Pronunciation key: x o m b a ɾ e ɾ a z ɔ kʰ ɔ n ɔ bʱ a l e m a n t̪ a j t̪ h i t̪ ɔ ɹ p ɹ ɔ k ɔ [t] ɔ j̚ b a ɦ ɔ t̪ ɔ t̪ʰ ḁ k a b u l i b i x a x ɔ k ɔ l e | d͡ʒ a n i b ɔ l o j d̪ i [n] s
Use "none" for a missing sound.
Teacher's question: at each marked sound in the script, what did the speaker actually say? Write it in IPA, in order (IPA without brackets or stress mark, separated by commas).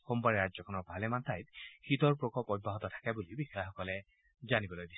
p, none